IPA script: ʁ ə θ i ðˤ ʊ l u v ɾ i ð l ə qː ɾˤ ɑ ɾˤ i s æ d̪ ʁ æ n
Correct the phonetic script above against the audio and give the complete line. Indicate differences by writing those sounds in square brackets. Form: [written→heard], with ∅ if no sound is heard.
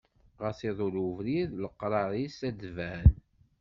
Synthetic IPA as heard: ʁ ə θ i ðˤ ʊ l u v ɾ i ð l ə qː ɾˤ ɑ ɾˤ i s æ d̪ [ʁ→v] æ n